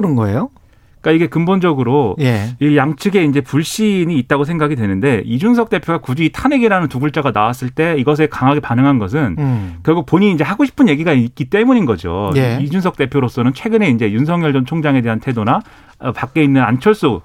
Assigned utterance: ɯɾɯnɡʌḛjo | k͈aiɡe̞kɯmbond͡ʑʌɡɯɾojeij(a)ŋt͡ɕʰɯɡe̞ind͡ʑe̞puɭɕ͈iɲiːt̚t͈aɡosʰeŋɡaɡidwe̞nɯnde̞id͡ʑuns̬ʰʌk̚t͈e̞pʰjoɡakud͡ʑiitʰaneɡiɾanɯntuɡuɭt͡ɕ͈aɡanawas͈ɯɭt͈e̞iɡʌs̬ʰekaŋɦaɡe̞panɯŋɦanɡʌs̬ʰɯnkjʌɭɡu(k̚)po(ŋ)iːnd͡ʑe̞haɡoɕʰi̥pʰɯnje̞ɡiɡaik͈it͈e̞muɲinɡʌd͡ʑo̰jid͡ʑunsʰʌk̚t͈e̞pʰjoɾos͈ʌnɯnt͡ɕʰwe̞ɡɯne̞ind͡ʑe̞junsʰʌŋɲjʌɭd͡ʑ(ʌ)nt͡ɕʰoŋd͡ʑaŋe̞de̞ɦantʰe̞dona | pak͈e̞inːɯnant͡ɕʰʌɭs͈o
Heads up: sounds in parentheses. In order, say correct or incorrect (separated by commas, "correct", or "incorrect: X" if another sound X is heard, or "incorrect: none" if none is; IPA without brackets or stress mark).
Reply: correct, correct, incorrect: ɲ, correct